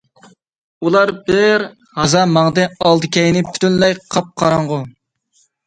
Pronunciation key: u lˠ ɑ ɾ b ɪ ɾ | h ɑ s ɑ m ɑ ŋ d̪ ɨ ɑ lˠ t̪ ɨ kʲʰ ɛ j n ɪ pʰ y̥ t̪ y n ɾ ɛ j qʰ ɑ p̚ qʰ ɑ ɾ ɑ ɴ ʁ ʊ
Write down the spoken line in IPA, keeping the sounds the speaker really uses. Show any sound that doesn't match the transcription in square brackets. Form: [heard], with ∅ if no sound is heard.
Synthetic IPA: u lˠ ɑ ɾ b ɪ ɾ | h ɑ [z] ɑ m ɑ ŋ d̪ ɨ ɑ lˠ [d̪] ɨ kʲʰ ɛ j n ɪ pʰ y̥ t̪ y n [l] ɛ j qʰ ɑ p̚ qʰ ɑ ɾ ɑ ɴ ʁ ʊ